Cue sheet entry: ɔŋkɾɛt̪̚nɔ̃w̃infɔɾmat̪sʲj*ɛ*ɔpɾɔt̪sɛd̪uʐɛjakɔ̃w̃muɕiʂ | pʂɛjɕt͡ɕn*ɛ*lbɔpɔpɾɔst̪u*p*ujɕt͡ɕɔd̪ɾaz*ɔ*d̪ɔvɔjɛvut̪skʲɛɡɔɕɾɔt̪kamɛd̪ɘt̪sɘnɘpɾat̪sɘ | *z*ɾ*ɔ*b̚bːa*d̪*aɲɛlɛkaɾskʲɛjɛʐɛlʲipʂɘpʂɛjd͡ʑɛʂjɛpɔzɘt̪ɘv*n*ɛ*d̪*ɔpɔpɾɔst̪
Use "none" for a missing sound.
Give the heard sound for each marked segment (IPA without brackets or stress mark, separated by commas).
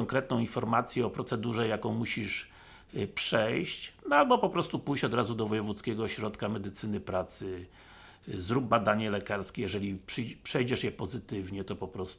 ɛ, a, p, u, z, u, d̪, ɲ, t̪